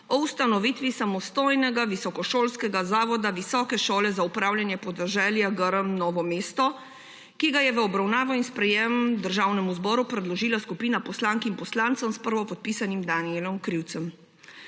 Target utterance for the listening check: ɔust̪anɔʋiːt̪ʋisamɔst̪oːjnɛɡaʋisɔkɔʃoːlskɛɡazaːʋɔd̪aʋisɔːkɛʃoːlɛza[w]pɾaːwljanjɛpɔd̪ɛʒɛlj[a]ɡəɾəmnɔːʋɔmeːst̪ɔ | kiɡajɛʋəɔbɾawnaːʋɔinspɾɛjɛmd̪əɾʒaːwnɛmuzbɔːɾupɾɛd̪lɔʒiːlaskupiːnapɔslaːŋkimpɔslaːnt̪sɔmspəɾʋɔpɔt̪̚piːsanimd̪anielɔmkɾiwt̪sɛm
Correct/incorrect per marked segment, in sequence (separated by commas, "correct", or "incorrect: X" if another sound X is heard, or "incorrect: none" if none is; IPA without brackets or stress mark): incorrect: u, correct